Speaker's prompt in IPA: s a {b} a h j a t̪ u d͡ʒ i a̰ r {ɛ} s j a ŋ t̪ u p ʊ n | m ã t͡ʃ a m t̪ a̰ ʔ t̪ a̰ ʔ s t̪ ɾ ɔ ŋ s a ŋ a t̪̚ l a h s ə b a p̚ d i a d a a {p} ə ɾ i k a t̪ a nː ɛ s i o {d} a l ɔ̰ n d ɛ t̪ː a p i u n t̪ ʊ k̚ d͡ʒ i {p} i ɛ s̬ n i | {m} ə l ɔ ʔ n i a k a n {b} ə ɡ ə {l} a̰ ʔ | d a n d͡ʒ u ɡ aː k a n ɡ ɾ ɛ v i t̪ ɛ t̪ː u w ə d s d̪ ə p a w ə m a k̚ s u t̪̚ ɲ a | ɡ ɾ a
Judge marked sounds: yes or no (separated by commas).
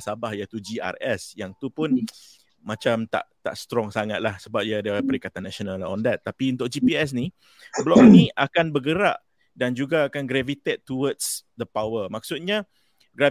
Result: yes, yes, yes, no, yes, no, yes, no